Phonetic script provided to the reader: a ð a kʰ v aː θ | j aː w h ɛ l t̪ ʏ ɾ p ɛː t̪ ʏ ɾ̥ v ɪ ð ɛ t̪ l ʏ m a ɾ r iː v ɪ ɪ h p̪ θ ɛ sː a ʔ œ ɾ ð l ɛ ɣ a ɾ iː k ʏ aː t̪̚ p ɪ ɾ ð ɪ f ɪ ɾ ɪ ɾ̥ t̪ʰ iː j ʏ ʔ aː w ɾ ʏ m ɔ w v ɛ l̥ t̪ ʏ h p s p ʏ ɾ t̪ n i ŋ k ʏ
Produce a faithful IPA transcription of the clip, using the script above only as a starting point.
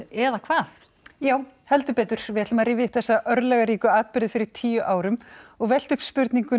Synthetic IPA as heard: ɛ ð a kʰ v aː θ | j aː w h ɛ l t̪ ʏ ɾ p ɛː t̪ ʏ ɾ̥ v ɪ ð ɛ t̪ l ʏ m a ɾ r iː v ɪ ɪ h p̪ θ ɛ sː a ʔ œ ɾ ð l ɛ ɣ a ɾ iː k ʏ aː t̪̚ p ɪ ɾ ð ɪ f ɪ ɾ ɪ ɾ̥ t̪ʰ iː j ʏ ʔ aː w ɾ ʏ m ɔ ɣ v ɛ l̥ t̪ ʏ h p s p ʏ ɾ t̪ n i ŋ k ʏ